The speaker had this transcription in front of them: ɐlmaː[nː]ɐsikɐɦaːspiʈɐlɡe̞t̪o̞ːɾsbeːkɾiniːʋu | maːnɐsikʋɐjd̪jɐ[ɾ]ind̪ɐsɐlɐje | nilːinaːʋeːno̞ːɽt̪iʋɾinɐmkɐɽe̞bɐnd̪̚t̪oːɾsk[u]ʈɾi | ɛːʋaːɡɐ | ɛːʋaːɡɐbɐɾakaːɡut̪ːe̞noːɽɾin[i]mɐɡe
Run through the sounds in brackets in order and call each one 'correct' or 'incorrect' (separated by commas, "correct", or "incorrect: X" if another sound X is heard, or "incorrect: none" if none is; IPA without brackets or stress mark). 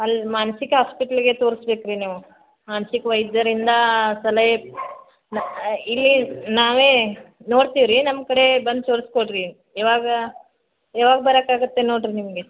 incorrect: n, correct, incorrect: o, correct